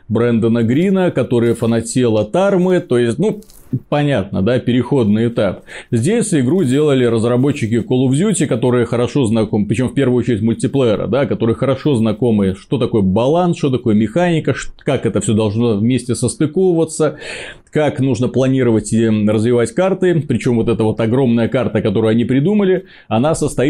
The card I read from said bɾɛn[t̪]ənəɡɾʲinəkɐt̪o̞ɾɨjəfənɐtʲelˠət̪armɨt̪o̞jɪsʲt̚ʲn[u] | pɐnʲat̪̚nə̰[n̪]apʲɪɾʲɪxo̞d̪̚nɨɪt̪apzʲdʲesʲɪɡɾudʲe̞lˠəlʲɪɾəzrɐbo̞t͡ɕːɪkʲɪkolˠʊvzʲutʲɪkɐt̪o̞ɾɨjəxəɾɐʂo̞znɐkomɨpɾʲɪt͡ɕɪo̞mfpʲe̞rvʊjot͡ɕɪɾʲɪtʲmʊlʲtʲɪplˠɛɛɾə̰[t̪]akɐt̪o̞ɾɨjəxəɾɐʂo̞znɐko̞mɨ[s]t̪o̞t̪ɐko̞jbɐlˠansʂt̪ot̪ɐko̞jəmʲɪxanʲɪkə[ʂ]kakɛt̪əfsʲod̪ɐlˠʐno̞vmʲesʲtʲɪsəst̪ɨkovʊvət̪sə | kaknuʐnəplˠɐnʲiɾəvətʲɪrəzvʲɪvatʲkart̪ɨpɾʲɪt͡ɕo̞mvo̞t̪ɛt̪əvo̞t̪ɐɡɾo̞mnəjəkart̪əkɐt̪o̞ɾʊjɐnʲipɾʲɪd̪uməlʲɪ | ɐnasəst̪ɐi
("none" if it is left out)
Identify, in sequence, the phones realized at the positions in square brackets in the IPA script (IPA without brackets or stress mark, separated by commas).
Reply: d̪, u, d̪, d̪, ʂ, ʂ